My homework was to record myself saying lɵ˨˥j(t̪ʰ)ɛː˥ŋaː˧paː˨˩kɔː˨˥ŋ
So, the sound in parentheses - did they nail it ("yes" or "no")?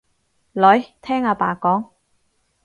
yes